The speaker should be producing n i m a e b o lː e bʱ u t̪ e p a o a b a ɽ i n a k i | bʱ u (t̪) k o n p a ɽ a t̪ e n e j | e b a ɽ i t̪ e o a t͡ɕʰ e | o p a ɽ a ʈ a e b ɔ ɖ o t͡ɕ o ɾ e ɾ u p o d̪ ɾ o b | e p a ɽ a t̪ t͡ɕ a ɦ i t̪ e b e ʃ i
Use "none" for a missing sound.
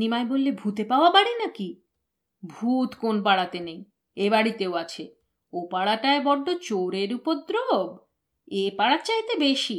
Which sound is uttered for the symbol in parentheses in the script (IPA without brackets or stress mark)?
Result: t̪